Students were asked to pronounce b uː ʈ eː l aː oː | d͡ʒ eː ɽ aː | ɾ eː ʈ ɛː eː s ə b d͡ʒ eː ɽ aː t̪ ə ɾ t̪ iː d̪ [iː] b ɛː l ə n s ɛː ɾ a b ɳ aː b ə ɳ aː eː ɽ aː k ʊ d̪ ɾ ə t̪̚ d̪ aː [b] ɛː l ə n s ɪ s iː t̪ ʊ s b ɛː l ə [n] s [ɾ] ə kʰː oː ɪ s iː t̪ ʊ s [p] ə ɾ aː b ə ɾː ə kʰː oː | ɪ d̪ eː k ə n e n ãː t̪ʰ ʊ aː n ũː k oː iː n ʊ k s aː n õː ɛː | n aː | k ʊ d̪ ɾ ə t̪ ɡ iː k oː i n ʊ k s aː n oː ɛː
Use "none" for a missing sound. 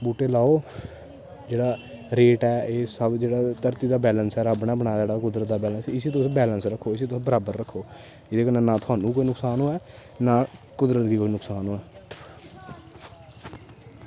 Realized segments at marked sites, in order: aː, b, n, ɾ, b

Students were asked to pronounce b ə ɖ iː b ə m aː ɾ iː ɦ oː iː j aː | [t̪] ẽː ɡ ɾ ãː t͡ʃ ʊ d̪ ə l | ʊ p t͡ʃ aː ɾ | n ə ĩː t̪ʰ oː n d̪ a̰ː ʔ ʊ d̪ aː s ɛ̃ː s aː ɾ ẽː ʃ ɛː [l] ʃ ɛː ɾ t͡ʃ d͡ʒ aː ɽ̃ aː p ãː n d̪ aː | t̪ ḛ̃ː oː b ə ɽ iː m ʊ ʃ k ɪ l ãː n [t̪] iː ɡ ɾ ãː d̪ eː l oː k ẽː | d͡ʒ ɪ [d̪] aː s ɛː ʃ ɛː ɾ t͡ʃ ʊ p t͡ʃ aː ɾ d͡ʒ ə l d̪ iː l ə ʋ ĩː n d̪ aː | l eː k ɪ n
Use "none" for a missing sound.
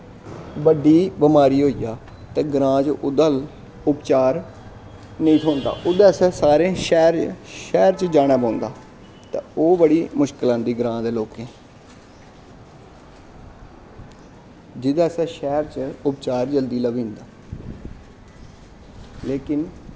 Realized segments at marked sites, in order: t̪, ɾ, d̪, d̪

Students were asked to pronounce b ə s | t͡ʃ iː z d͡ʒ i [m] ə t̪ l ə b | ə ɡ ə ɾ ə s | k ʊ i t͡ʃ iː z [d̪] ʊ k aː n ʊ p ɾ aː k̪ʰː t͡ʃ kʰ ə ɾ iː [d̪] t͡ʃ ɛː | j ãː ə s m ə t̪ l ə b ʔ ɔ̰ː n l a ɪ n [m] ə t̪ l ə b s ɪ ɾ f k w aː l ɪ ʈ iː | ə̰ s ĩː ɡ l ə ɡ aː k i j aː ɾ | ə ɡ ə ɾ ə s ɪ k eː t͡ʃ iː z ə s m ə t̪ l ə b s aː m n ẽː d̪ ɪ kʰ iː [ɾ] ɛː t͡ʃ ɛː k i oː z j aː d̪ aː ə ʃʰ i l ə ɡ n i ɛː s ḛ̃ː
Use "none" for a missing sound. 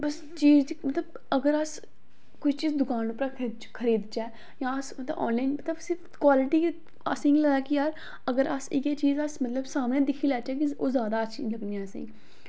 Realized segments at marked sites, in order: m, d̪, d̪, m, l

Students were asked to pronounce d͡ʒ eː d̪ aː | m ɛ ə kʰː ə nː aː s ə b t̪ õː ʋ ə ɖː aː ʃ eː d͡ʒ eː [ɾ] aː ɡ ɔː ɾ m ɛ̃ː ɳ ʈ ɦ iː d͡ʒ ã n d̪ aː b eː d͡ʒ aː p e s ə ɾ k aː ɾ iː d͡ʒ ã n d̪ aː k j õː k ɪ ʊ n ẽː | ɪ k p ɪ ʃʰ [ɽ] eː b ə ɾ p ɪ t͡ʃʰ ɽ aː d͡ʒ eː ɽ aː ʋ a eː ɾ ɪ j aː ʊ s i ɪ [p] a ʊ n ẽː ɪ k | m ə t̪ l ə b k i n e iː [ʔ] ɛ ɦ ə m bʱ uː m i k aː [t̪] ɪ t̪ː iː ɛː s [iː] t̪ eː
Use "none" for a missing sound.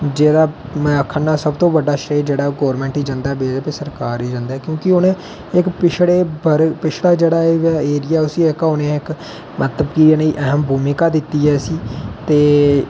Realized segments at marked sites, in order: ɽ, ɽ, k, ʔ, d̪, iː

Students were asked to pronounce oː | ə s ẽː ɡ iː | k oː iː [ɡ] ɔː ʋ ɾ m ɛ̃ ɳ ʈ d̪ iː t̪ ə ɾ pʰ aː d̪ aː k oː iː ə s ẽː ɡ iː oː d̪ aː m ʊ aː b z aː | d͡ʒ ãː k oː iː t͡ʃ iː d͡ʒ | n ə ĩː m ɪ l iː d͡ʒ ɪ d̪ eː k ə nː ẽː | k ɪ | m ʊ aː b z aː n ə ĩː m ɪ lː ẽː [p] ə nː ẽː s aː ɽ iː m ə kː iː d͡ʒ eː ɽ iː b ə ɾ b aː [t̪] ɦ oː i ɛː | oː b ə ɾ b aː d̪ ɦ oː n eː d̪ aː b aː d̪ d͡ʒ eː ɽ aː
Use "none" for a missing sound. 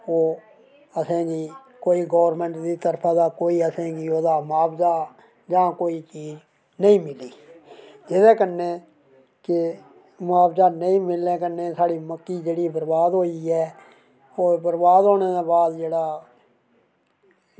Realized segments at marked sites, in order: ɡ, k, d̪

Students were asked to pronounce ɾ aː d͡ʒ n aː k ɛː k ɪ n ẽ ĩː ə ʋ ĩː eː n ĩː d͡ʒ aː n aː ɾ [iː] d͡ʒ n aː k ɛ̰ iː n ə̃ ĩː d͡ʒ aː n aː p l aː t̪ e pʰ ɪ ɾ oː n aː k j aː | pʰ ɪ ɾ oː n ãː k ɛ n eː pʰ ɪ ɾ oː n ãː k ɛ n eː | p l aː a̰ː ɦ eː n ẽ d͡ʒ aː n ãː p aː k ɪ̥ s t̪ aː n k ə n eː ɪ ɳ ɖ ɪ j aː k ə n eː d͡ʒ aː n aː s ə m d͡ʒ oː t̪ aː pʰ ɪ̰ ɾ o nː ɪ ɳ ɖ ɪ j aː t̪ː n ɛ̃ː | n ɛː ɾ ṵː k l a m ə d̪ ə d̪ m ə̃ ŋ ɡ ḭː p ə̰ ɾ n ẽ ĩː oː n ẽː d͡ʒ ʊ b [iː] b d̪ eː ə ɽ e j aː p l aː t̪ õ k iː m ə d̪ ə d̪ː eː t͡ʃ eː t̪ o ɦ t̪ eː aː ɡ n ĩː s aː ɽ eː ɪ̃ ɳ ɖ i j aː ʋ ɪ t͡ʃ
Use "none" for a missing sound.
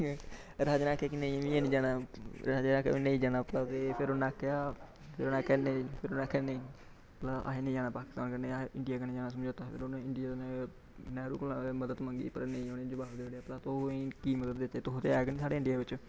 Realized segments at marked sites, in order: aː, aː

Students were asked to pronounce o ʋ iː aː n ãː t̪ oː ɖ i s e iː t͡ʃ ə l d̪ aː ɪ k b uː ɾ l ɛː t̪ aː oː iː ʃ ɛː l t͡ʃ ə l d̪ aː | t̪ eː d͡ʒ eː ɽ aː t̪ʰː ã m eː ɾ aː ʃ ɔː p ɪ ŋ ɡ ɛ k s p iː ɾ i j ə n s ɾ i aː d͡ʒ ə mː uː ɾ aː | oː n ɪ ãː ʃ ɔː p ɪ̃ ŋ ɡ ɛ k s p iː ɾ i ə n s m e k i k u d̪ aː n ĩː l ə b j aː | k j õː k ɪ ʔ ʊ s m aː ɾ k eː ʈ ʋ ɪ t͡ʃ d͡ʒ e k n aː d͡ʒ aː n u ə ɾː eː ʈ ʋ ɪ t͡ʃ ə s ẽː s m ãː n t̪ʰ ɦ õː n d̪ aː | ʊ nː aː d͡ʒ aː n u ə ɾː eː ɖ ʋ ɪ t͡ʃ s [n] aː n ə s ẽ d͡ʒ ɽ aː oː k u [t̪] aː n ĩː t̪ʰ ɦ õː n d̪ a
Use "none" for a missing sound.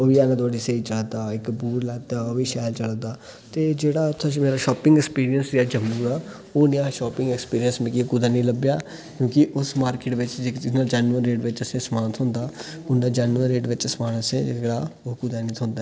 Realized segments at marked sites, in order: m, d̪

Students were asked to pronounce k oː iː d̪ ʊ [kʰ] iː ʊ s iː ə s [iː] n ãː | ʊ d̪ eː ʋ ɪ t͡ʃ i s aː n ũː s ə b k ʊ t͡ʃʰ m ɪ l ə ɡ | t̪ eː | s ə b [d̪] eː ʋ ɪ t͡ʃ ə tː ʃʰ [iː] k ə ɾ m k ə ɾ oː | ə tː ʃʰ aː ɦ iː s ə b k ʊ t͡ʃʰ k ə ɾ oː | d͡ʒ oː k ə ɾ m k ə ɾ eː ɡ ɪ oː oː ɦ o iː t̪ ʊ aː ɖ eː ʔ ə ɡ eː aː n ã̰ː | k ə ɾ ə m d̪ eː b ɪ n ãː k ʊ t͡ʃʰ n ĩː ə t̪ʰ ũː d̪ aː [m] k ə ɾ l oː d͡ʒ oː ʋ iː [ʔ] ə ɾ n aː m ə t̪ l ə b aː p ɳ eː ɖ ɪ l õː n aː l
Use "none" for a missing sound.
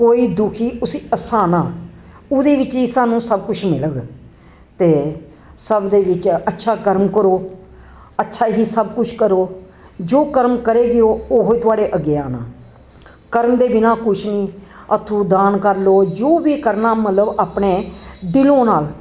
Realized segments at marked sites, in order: kʰ, aː, d̪, aː, n, k

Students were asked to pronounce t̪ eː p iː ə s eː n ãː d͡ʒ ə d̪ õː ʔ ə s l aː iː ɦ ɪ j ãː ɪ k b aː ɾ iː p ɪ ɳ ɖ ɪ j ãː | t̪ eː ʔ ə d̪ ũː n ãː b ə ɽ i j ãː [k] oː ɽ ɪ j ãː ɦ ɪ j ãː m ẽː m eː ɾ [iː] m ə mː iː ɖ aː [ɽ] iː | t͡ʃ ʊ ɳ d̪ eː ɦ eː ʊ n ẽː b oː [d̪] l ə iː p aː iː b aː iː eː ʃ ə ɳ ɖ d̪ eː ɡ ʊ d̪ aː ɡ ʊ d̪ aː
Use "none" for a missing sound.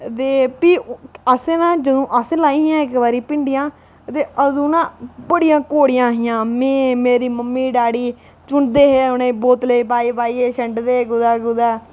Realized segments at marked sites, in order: k, iː, ɽ, t̪

